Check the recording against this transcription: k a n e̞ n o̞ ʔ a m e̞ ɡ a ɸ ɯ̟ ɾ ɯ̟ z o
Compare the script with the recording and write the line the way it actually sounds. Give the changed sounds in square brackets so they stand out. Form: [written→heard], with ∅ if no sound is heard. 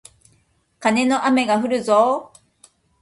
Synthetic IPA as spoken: k a n e̞ n o̞ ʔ a m e̞ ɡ a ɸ ɯ̟ ɾ ɯ̟ z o